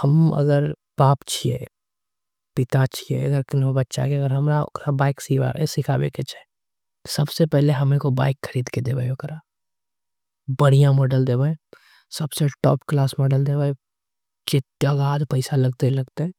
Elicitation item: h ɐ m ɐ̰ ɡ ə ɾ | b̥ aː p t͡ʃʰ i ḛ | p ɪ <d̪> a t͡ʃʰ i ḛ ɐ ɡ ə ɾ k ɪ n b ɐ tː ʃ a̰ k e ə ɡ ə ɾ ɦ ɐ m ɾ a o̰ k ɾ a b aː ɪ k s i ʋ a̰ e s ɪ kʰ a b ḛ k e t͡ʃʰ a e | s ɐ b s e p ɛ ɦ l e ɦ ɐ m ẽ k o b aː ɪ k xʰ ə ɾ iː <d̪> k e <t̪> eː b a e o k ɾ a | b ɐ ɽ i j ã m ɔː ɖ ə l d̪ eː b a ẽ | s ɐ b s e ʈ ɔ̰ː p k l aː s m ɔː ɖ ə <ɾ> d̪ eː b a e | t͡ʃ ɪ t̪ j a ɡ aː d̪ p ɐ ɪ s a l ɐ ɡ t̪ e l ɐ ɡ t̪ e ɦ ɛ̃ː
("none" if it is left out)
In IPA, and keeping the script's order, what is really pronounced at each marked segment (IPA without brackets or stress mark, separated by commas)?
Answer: t̪, d̪, d̪, l